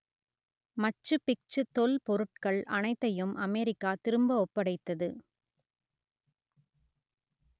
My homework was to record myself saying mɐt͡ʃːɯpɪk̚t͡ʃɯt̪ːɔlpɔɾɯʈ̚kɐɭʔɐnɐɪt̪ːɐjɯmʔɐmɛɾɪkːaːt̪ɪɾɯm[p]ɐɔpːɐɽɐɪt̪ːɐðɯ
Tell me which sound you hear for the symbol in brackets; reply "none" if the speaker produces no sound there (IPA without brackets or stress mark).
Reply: b